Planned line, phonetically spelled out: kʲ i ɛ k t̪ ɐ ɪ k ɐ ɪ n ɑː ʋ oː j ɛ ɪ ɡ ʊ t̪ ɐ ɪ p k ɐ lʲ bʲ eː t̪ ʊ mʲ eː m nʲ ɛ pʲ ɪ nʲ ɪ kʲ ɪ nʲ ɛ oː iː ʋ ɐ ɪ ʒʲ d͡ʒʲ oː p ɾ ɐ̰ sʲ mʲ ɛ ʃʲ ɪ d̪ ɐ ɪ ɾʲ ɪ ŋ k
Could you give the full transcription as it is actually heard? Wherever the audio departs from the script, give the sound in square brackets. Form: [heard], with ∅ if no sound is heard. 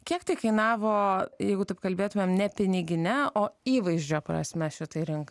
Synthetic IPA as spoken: kʲ i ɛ k t̪ ɐ ɪ k ɐ ɪ n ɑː ʋ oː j ɛ ɪ ɡ ʊ t̪ ɐ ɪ p k ɐ lʲ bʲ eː t̪ ʊ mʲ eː m nʲ ɛ pʲ ɪ nʲ ɪ [ɡʲ] ɪ nʲ ɛ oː iː ʋ ɐ ɪ ʒʲ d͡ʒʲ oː p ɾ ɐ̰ sʲ mʲ ɛ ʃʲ ɪ [t̪] ɐ ɪ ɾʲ ɪ ŋ k